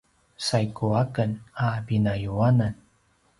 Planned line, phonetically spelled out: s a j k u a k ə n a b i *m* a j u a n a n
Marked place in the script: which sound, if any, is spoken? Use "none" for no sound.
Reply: n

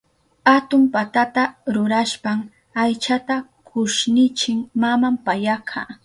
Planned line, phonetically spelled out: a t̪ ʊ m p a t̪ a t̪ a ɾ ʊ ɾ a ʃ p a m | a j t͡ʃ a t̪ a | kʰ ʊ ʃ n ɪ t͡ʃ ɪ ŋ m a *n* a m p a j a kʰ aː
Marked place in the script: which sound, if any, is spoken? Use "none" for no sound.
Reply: m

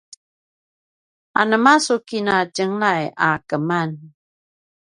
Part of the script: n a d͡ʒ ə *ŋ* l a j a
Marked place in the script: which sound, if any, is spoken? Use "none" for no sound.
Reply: ŋ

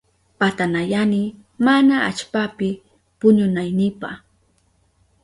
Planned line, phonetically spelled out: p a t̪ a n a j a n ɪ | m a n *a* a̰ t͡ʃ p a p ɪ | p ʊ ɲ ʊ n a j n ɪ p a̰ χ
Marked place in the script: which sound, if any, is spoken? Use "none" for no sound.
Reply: a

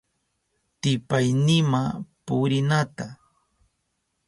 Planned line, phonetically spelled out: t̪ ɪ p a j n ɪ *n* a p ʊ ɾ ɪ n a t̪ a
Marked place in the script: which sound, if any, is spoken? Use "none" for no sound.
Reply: m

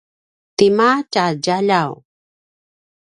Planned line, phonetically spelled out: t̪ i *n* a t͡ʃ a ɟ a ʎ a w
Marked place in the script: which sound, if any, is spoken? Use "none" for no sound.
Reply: m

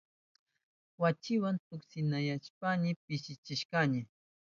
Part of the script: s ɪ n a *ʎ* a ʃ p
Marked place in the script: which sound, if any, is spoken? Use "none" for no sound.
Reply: j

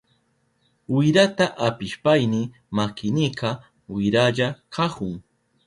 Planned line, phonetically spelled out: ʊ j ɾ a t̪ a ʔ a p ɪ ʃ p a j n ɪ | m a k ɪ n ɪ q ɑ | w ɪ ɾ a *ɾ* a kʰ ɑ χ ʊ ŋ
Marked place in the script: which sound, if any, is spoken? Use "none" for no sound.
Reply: ʎ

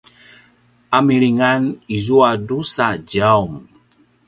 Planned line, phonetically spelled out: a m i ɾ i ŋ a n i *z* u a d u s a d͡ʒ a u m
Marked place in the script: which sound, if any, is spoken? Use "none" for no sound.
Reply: z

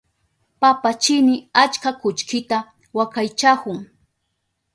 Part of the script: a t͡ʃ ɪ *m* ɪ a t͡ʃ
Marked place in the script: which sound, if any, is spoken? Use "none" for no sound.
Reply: n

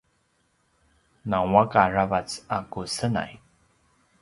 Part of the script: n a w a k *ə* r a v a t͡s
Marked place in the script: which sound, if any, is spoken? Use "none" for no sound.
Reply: a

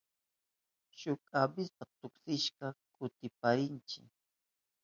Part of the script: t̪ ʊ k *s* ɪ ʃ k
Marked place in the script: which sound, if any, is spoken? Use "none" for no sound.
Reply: s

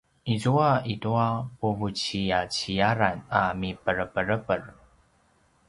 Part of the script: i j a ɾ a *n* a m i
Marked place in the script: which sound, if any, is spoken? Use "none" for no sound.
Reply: n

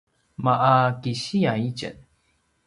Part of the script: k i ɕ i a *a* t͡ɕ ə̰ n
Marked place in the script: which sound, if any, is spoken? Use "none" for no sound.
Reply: i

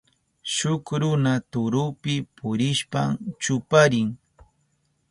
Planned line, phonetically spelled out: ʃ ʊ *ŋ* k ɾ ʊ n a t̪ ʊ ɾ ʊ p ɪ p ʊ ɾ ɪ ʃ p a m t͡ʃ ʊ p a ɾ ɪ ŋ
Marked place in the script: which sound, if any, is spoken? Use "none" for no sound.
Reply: none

